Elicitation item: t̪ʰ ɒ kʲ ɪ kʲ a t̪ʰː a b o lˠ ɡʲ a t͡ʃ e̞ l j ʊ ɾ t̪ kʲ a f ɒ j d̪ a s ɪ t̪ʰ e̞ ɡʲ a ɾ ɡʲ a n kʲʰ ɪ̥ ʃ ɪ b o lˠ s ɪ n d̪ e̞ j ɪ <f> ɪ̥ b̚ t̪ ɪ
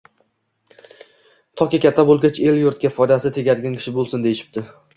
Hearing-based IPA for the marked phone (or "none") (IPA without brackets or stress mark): ʃ